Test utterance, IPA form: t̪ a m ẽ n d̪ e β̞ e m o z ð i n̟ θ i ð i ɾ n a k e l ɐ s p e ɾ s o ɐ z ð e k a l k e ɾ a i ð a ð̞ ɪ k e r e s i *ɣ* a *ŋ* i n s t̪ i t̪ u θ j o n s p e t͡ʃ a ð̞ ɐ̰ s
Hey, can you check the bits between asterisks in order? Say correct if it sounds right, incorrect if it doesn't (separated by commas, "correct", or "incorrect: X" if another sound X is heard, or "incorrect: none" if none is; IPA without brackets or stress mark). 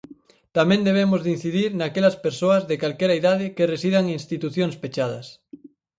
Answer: incorrect: ð, correct